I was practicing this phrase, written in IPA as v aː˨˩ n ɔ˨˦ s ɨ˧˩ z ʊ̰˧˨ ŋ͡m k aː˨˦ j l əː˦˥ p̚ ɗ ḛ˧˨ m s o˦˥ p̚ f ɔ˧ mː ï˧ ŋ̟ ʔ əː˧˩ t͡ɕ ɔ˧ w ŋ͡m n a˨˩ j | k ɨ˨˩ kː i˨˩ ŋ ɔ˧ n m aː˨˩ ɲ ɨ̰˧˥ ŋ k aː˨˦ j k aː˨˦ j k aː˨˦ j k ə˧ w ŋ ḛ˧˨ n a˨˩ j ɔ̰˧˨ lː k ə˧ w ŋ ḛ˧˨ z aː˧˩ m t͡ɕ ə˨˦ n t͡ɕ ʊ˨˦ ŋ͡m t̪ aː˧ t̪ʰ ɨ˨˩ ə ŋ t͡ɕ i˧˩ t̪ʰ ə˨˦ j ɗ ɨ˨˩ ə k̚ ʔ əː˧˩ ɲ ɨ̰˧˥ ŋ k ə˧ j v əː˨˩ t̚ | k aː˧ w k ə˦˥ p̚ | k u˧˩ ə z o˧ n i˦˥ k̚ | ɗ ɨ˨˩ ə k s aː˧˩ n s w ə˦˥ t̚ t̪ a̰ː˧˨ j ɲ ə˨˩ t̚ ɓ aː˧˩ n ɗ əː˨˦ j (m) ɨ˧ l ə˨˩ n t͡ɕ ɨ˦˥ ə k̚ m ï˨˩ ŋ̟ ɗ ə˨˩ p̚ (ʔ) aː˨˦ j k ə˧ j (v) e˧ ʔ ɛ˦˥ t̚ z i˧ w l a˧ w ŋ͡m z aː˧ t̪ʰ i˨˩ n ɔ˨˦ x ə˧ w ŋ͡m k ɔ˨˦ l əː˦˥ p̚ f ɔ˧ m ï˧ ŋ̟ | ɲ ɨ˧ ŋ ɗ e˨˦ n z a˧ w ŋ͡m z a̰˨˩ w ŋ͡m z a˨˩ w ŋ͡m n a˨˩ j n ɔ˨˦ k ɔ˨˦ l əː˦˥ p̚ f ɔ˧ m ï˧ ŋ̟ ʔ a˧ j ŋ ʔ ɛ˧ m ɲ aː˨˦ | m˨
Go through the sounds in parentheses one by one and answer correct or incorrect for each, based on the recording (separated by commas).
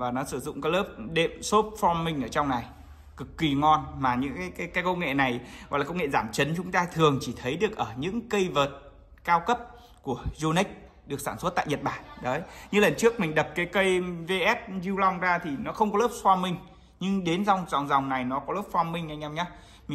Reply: incorrect, incorrect, correct